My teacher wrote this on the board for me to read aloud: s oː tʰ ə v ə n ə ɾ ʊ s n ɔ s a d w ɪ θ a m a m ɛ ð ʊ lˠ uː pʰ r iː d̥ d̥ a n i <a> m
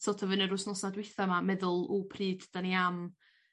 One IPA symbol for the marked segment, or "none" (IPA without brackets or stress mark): a